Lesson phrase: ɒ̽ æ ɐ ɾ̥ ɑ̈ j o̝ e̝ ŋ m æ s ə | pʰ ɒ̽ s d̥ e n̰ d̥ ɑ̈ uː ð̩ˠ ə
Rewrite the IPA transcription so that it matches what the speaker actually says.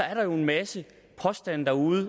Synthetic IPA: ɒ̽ æ ɐ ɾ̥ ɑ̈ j o̝ e̝ n m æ s ə | pʰ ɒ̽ s d̥ æ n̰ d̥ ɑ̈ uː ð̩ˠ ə